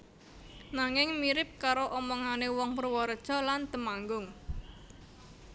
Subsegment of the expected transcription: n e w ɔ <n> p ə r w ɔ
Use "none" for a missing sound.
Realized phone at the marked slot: ŋ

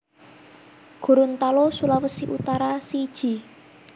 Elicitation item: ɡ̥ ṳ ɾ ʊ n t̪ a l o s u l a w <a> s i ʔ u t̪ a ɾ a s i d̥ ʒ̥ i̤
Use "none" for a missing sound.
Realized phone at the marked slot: ə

